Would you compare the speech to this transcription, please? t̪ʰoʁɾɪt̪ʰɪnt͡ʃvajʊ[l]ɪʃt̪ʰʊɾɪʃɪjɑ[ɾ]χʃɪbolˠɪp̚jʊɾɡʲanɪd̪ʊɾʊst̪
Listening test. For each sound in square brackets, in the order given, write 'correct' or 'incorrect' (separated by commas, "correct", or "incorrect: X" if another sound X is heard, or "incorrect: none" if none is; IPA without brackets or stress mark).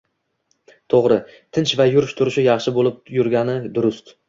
incorrect: ɾ, incorrect: none